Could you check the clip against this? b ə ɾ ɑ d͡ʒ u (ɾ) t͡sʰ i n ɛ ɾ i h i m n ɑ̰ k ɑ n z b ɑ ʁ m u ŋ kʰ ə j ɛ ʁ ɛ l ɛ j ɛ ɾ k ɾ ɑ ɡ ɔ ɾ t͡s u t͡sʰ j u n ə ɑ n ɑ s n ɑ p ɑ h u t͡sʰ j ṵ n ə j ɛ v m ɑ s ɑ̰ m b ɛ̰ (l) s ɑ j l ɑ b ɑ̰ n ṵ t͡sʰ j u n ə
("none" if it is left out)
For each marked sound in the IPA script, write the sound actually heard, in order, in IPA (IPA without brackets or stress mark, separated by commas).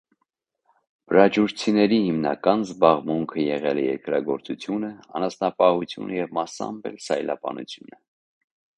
ɾ, l